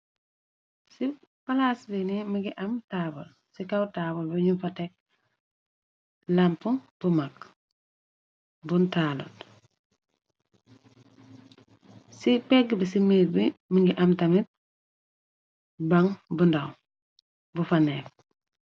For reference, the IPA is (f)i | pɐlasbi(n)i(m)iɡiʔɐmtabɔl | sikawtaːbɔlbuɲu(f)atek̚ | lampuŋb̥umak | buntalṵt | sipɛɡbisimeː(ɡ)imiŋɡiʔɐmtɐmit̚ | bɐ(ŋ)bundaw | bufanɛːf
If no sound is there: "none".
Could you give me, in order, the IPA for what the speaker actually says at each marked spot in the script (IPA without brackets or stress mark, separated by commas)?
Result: s, n, m, f, b, ŋ